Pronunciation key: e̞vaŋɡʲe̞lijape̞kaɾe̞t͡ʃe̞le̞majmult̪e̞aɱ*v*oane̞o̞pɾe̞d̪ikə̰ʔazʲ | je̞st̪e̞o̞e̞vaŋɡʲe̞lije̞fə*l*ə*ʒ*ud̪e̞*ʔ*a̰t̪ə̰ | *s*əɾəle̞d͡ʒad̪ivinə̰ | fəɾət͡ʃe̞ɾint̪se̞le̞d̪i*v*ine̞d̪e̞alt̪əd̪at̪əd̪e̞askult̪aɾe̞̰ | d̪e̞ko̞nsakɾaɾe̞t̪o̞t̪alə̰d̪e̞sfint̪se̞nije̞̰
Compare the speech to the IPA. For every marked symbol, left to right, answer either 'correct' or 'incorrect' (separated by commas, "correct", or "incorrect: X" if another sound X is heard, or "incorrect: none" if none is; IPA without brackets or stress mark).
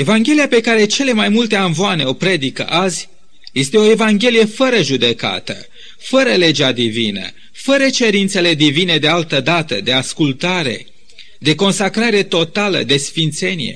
correct, incorrect: ɾ, correct, incorrect: k, incorrect: f, correct